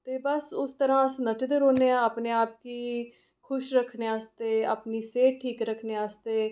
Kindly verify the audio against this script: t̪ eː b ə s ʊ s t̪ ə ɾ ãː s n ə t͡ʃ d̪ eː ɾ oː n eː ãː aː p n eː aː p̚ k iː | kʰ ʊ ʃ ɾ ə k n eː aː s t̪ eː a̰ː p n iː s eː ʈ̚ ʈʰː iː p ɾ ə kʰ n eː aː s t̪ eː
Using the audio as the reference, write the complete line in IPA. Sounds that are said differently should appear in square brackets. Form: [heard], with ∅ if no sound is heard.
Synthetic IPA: t̪ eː b ə s ʊ s t̪ ə ɾ ãː s n ə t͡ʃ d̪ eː ɾ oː n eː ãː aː p n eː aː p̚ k iː | kʰ ʊ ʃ ɾ ə [kʰ] n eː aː s t̪ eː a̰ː p n iː s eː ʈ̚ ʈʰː iː [k] ɾ ə kʰ n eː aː s t̪ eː